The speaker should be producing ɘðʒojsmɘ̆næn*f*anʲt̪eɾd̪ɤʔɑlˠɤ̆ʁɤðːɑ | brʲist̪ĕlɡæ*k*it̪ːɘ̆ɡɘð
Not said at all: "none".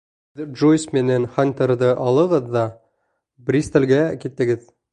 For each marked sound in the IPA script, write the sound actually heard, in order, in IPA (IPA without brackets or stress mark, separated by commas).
χ, k